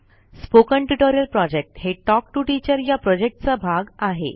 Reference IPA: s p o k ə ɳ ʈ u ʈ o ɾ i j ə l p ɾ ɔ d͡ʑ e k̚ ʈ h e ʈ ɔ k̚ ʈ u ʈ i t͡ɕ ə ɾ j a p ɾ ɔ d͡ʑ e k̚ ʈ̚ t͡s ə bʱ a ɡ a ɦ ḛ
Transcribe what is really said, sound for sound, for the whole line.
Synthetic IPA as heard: s p o k ə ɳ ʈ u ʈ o ɾ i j ə l p ɾ ɔ d͡ʑ e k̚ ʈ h e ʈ ɔ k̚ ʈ u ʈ i t͡ɕ ə ɾ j a p ɾ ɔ d͡ʑ e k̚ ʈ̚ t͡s a bʱ a ɡ a ɦ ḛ